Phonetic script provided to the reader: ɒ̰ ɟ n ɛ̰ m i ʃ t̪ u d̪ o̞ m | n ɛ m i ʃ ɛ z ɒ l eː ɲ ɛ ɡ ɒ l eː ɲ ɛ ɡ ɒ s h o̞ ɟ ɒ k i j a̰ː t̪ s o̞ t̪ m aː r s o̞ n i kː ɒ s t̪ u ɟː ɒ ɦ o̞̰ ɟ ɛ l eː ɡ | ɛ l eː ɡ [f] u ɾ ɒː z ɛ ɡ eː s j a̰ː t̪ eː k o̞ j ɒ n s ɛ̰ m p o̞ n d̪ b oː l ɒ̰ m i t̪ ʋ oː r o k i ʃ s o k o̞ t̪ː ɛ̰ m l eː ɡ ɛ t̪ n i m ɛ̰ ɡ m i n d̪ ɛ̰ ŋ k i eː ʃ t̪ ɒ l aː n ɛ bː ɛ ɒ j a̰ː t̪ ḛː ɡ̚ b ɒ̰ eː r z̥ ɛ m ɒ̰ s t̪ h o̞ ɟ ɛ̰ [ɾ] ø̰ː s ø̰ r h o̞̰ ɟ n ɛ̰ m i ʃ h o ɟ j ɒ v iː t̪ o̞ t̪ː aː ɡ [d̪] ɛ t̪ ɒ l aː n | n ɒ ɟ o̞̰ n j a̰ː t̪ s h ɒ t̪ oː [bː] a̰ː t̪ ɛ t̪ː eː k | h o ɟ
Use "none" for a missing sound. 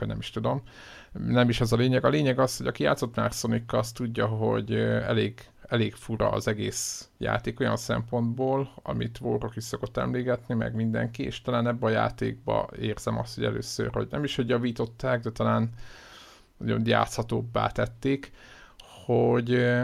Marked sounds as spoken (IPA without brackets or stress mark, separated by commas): f, l, d̪, bː